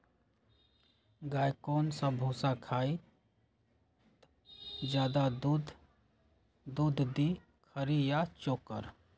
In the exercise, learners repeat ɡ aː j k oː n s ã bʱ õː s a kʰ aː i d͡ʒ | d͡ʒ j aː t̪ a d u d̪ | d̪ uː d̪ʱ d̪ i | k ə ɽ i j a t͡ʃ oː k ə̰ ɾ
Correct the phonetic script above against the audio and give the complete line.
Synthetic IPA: ɡ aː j k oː n s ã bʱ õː s a kʰ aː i | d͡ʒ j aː d̪ a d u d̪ | d̪ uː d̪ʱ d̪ i | kʰ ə ɾ i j a t͡ʃ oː k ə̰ ɾ